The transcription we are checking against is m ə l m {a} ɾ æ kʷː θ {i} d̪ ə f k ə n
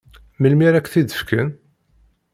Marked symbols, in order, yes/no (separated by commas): no, yes